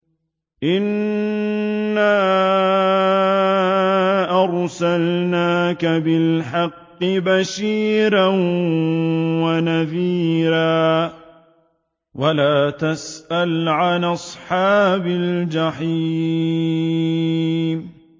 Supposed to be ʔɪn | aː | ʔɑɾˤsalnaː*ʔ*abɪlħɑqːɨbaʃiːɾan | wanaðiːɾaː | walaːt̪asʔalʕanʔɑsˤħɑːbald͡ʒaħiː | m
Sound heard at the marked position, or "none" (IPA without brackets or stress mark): k